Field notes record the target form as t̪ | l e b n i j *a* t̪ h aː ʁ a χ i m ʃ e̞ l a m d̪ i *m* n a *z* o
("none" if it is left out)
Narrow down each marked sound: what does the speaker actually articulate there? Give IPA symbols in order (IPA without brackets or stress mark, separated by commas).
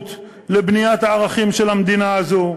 a, none, z